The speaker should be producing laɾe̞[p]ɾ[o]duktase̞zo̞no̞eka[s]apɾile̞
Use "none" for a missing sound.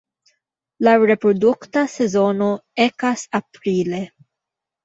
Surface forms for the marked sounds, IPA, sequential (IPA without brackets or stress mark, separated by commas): p, o, s